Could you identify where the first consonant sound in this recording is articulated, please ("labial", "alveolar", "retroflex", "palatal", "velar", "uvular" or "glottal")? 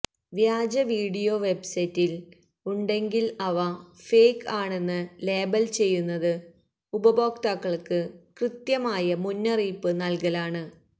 labial